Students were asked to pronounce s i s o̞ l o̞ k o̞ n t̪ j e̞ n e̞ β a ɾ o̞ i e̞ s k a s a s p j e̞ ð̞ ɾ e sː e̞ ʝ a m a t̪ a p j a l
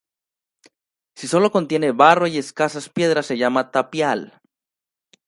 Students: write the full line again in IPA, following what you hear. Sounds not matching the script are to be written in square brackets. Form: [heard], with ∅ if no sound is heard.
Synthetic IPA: s i s o̞ l o̞ k o̞ n t̪ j e̞ n e̞ β a [r] o̞ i e̞ s k a s a s p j e̞ ð̞ ɾ [a] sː e̞ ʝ a m a t̪ a p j a l

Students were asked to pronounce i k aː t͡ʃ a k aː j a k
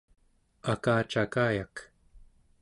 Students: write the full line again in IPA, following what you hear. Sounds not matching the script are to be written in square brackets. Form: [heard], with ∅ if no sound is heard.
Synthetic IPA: [a] k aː t͡ʃ a k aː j a k

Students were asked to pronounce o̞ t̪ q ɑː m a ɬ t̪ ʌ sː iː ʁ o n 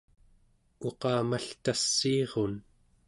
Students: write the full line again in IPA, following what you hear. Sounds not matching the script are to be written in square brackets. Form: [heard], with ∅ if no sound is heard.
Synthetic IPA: o̞ [∅] q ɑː m a ɬ t̪ [a] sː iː ʁ o n

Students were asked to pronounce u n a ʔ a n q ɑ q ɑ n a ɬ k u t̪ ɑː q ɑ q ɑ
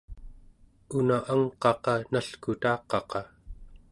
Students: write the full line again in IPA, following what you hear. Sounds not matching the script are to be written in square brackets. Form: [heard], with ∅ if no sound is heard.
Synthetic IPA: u n a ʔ a [ŋ] q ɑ q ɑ n a ɬ k u t̪ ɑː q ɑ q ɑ

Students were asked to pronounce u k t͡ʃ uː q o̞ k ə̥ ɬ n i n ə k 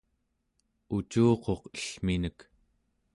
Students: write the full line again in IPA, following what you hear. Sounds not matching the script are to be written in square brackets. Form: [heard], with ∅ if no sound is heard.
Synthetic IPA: u [∅] t͡ʃ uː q o̞ [q] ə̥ ɬ [m] i n ə k

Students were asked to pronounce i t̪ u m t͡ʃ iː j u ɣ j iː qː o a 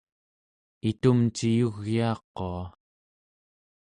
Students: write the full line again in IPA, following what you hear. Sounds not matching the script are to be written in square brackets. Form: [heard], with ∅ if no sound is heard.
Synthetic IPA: i t̪ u m t͡ʃ [i] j u ɣ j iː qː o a

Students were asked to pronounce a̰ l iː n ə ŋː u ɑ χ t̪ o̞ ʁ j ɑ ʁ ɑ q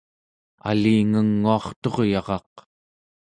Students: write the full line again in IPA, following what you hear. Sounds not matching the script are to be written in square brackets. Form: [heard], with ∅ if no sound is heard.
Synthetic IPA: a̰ l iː [ŋ] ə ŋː u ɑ χ t̪ o̞ ʁ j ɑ ʁ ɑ q

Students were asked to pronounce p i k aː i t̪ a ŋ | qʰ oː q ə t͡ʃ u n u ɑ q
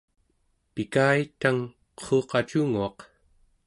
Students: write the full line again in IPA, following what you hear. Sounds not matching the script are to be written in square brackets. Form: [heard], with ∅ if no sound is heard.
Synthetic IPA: p i k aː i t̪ a ŋ | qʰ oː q [ɑ] t͡ʃ u [ŋ] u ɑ q

